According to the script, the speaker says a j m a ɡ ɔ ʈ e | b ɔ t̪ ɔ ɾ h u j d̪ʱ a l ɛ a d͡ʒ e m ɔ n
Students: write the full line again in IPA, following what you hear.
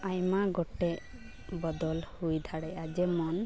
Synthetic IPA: a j m a ɡ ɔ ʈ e | b ɔ d̪ ɔ l h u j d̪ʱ a ɽ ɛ a d͡ʒ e m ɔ n